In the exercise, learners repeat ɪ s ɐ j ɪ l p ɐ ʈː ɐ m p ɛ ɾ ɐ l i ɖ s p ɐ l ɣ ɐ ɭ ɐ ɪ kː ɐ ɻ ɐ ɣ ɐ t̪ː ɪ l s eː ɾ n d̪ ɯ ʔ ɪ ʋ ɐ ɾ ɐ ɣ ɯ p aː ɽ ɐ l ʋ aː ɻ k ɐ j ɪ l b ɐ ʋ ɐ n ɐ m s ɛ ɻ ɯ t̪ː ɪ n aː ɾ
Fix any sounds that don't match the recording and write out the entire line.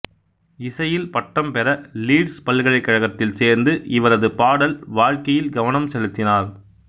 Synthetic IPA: ɪ s ɐ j ɪ l p ɐ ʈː ɐ m p ɛ ɾ ɐ l iː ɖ s p ɐ l ɣ ɐ ɭ ɐ ɪ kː ɐ ɻ ɐ ɣ ɐ t̪ː ɪ l s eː ɾ n d̪ ɯ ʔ ɪ ʋ ɐ ɾ ɐ ð ɯ p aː ɽ ɐ l ʋ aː ɻ k ɐ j ɪ l ɡ ɐ ʋ ɐ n ɐ m s ɛ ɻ ɯ t̪ː ɪ n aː ɾ